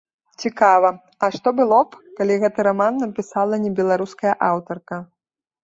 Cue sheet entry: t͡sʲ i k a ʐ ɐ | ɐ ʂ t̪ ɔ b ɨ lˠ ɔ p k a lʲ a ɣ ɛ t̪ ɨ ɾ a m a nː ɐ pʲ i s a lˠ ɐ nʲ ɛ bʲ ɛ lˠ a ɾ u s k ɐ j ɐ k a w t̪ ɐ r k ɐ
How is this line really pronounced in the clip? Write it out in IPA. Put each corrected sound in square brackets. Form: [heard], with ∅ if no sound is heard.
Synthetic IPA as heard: t͡sʲ i k a [v] ɐ | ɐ ʂ t̪ ɔ b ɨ lˠ ɔ p k a lʲ [i] ɣ ɛ t̪ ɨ ɾ a m a nː ɐ pʲ i s a lˠ ɐ nʲ ɛ bʲ ɛ lˠ a ɾ u s k ɐ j ɐ [ʔ] a w t̪ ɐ r k ɐ